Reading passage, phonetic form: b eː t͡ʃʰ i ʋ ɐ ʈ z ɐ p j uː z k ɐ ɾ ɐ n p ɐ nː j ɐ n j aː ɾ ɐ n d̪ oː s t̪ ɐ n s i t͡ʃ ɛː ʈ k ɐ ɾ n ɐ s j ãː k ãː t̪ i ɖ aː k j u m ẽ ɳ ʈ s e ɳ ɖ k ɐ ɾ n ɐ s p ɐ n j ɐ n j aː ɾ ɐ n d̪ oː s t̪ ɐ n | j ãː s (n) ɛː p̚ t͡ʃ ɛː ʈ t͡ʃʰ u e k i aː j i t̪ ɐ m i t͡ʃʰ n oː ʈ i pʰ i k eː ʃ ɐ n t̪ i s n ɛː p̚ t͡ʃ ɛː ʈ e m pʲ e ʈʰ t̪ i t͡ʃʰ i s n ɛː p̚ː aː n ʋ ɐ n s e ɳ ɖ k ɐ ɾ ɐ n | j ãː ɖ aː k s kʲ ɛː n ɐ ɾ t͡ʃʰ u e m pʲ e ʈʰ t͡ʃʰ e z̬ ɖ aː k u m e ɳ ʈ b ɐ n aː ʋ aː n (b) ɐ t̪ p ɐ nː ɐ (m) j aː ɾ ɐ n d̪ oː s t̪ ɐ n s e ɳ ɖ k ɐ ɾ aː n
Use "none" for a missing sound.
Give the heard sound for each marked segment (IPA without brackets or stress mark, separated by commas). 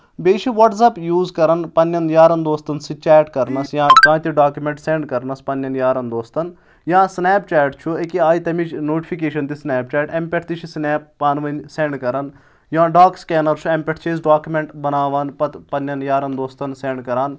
n, p, n